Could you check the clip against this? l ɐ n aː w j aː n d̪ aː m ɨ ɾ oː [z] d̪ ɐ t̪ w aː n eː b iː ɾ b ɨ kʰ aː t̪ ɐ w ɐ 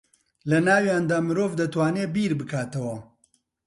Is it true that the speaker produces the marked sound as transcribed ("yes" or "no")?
no